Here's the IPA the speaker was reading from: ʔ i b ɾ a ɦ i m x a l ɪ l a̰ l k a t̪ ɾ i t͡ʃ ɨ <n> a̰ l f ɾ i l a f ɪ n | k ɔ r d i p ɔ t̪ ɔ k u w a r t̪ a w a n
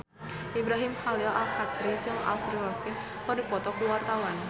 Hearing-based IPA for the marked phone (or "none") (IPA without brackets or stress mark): ŋ